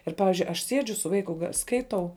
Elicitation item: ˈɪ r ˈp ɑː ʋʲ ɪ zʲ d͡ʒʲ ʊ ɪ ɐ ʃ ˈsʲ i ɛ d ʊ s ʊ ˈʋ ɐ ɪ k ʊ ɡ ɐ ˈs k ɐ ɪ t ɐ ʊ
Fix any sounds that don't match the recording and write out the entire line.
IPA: ˈɪ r ˈp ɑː ʋʲ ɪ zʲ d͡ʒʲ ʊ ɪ ɐ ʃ ˈsʲ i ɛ d͡ʒʲ ʊ s ʊ ˈʋ ɐ ɪ k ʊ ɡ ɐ ˈs k ɐ ɪ t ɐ ʊ